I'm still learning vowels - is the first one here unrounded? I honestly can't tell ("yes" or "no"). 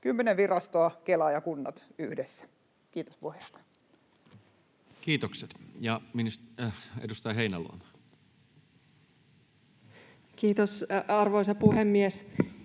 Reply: no